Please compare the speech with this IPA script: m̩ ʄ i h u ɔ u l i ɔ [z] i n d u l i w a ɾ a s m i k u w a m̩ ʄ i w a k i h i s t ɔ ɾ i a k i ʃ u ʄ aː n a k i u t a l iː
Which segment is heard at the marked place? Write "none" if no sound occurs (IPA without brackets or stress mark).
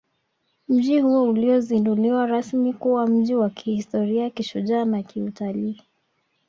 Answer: z